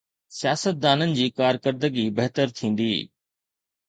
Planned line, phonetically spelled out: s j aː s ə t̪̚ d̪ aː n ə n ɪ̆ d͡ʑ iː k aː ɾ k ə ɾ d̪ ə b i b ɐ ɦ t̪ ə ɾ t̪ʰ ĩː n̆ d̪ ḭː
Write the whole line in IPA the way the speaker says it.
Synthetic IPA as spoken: s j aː s ə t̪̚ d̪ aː n ə n ɪ̆ d͡ʑ iː k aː ɾ k ə ɾ d̪ ə ɡ i b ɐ ɦ t̪ ə ɾ t̪ʰ ĩː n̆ d̪ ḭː